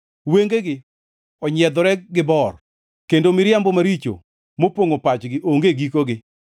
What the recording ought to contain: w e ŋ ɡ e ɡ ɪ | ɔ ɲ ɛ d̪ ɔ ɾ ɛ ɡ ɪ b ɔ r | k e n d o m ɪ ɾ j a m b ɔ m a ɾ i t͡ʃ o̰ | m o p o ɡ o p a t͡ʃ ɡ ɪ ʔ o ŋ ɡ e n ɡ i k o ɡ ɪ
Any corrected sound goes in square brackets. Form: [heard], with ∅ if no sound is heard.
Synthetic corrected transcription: w e ŋ ɡ e ɡ ɪ | ɔ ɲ ɛ d̪ ɔ ɾ ɛ ɡ ɪ b ɔ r | k e n d o m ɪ ɾ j a m b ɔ m a ɾ i t͡ʃ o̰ | m o p o [ŋ] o p a t͡ʃ ɡ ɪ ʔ o ŋ ɡ e [∅] ɡ i k o ɡ ɪ